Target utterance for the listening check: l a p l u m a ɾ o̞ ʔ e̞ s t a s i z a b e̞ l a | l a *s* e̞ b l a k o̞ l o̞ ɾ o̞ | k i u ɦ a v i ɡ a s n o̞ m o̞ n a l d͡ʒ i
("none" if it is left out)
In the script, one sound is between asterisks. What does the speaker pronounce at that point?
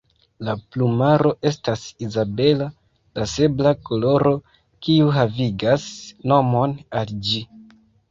s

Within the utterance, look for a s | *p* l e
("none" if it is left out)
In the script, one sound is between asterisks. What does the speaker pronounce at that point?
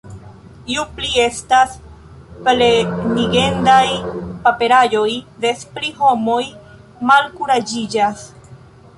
p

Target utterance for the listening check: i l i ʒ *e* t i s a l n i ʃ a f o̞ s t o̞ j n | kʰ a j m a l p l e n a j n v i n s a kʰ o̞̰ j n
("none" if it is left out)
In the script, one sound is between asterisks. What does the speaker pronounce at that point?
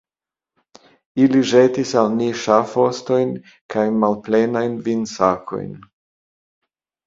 e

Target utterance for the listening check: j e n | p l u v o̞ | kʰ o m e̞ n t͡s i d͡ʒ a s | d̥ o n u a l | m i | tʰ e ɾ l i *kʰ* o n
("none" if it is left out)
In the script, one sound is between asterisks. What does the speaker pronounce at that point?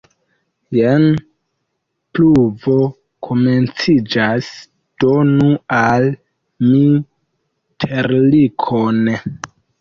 kʰ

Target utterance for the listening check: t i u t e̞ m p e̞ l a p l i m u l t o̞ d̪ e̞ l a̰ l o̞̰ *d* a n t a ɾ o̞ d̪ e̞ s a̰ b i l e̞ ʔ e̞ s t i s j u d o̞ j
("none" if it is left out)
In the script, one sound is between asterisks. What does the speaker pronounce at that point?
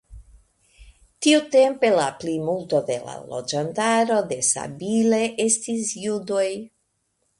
d͡ʒ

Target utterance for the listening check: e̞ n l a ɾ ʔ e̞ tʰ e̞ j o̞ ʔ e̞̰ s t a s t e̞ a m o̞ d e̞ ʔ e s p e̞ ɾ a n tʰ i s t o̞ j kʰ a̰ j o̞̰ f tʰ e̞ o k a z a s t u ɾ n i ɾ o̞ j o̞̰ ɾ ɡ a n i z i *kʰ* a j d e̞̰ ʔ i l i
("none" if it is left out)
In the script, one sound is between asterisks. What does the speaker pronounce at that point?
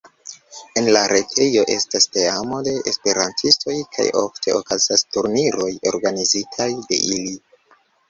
tʰ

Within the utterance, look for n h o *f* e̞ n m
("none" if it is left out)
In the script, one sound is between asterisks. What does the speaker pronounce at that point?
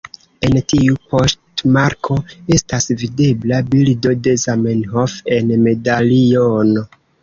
f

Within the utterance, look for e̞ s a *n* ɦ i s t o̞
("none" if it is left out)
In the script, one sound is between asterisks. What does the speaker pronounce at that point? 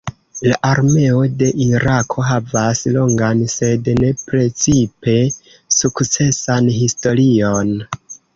n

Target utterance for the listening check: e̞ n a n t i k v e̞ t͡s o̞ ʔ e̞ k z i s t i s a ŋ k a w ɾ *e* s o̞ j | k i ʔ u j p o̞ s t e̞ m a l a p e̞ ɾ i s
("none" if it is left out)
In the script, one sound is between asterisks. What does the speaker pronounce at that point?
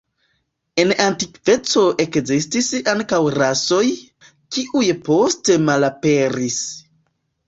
a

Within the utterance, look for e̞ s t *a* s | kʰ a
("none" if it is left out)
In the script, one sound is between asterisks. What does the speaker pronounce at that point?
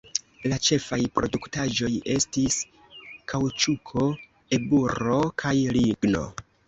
i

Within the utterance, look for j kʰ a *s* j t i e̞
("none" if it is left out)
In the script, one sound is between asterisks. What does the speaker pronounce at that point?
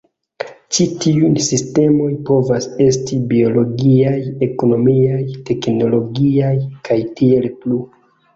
none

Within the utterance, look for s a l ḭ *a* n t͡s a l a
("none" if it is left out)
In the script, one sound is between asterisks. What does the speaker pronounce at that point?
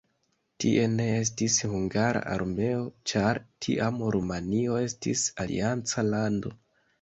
a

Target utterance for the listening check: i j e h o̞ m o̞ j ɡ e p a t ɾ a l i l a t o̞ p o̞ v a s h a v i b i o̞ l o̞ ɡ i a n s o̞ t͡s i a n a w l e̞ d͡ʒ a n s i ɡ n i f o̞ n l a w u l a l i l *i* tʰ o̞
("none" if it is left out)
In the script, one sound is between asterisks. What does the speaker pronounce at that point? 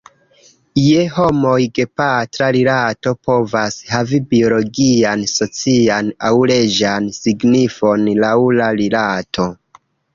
a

